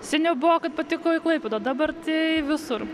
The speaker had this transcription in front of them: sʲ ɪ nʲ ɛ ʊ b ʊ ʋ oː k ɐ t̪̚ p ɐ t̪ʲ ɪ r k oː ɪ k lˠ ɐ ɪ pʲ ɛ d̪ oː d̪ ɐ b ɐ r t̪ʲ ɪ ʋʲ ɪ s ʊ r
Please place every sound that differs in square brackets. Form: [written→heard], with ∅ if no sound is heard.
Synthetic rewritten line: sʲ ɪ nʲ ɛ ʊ b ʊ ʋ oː k ɐ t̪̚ p ɐ t̪ʲ ɪ [r→∅] k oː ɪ k lˠ ɐ ɪ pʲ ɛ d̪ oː d̪ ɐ b ɐ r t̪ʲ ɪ ʋʲ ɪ s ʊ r